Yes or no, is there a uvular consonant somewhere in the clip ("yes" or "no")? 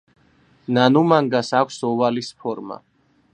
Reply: no